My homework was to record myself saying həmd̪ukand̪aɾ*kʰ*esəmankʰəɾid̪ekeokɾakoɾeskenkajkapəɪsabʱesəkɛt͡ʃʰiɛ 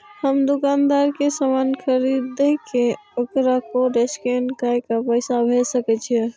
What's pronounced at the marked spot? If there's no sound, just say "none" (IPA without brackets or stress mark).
k